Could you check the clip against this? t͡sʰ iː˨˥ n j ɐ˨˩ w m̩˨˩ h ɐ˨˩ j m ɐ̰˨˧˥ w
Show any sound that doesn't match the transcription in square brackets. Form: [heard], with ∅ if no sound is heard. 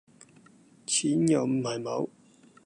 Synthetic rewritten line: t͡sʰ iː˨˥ n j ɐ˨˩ w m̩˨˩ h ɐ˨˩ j m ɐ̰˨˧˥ w